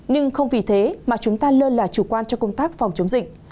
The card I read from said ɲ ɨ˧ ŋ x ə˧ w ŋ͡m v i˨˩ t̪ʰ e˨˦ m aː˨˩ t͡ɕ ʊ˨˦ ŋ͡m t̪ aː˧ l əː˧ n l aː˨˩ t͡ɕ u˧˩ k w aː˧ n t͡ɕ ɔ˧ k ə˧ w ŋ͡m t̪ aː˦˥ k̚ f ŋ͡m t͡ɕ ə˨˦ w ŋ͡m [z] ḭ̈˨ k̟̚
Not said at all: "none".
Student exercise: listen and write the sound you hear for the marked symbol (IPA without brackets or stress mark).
z